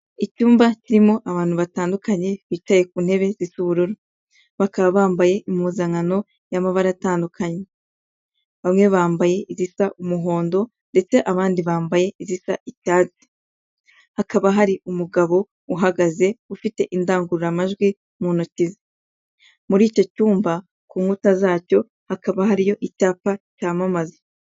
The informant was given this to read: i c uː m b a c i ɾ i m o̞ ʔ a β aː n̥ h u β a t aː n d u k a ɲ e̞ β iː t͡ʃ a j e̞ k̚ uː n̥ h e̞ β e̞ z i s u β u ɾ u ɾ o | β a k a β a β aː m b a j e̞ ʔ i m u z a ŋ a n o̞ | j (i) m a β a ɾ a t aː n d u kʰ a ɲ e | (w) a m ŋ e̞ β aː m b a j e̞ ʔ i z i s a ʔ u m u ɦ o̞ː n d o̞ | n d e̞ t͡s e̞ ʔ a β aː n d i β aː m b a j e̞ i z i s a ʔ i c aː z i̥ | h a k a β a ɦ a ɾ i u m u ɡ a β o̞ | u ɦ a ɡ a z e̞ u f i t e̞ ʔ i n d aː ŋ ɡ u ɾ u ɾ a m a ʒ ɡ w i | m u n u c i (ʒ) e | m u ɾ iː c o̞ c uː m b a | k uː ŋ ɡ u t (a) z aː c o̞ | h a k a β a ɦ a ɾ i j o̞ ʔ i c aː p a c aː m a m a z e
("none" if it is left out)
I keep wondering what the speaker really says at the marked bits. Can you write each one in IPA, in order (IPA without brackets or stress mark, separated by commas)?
a, β, z, a